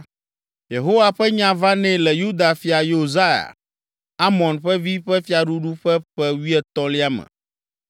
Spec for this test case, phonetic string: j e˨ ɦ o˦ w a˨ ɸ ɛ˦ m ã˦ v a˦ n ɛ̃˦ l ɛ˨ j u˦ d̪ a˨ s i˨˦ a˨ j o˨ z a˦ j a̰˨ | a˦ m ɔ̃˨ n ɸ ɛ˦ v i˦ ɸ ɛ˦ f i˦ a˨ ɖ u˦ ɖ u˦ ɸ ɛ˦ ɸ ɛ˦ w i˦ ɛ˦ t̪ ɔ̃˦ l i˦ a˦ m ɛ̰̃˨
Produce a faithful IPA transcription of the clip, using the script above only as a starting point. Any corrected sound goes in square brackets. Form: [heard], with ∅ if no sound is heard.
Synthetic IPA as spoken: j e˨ ɦ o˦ w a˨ ɸ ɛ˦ [ɲ] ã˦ v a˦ n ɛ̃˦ l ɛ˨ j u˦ d̪ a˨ [f] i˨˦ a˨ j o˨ z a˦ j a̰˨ | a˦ m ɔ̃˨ n ɸ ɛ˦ v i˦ ɸ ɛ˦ f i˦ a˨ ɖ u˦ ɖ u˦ ɸ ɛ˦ ɸ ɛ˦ w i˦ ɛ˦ t̪ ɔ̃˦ l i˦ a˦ m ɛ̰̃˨

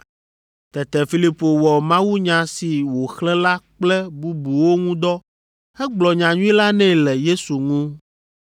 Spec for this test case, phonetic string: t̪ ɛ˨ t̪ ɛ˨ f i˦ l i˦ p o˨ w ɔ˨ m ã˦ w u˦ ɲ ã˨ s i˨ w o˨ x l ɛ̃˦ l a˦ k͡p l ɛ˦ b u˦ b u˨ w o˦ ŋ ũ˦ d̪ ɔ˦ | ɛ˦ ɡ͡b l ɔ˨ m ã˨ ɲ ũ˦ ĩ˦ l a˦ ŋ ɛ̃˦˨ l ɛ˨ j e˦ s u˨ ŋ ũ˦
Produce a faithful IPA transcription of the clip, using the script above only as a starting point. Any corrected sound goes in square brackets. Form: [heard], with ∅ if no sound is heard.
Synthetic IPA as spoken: t̪ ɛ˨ t̪ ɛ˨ f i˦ l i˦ p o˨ w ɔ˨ m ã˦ w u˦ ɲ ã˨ s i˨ w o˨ x l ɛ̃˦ l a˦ k͡p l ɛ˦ b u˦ b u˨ w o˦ ŋ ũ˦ d̪ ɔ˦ | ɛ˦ ɡ͡b l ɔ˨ [ɲ] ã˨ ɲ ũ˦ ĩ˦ l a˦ [n] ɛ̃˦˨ l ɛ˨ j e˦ s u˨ ŋ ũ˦

